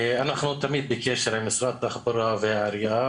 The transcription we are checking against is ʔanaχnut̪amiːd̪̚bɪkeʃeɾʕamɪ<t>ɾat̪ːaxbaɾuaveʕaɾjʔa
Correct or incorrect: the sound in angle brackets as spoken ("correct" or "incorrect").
incorrect